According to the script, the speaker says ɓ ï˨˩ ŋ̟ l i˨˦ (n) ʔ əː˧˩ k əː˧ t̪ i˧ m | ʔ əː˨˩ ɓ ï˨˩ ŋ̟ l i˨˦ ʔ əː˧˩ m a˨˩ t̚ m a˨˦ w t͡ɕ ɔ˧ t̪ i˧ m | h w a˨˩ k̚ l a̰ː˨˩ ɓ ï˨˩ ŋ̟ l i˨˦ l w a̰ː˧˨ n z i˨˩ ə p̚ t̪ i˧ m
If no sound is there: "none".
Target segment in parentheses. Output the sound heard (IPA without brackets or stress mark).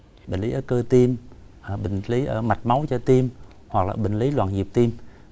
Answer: none